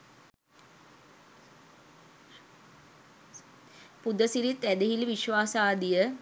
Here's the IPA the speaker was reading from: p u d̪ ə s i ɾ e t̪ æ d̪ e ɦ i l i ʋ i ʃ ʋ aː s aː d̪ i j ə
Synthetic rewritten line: p u d̪ ə s i ɾ i t̪ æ d̪ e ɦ i l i ʋ i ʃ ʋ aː s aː d̪ i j ə